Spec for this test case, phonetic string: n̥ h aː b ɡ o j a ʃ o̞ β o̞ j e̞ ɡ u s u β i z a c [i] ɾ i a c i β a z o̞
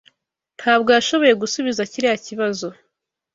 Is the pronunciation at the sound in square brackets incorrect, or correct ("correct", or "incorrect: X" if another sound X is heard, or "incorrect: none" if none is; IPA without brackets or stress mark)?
correct